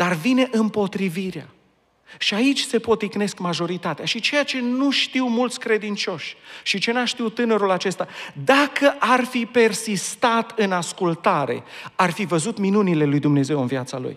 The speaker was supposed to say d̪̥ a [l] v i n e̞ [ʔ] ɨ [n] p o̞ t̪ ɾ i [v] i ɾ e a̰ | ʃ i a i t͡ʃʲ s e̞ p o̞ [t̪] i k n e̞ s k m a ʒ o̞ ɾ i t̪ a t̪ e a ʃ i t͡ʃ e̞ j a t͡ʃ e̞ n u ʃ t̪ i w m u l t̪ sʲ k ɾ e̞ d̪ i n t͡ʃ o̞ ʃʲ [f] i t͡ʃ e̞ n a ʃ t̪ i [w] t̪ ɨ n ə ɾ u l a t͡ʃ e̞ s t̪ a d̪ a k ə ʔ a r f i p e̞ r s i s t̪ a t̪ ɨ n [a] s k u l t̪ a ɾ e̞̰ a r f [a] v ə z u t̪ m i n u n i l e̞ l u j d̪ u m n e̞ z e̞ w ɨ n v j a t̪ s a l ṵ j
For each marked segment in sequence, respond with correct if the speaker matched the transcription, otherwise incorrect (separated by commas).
incorrect, correct, incorrect, correct, correct, incorrect, correct, correct, incorrect